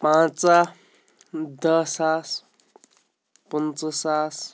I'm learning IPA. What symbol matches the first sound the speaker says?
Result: p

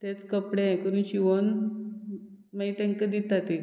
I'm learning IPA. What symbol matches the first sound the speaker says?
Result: t̪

